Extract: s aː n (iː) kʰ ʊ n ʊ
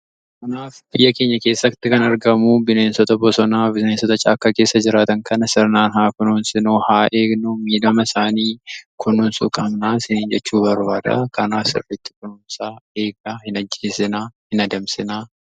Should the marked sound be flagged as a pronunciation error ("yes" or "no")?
no